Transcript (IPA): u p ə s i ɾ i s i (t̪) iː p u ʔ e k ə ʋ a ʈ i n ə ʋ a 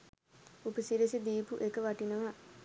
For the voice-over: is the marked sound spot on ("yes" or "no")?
no